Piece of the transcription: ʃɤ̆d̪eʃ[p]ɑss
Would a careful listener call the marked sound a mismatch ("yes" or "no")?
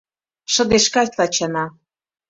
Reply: yes